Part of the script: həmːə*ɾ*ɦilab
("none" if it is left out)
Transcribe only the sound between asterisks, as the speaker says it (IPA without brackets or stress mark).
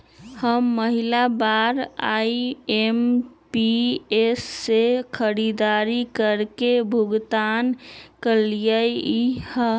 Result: none